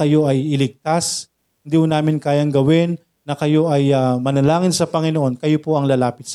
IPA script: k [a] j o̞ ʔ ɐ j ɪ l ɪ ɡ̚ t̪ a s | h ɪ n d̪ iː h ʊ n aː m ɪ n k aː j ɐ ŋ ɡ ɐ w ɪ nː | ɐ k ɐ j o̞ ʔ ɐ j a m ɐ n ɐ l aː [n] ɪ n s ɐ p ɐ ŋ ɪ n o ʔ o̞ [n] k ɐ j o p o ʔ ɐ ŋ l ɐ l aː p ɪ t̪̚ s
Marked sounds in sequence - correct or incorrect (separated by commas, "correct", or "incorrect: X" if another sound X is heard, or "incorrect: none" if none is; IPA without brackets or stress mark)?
incorrect: ɐ, incorrect: ŋ, correct